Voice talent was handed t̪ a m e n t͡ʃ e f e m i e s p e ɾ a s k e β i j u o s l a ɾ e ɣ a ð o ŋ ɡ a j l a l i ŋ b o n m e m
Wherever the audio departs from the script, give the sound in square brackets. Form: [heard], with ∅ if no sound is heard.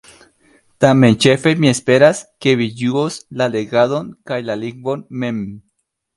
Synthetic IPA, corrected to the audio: t̪ a m e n t͡ʃ e f e m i e s p e ɾ a s k e β i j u o s l a [l] e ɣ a ð o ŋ [k] a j l a l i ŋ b o n m e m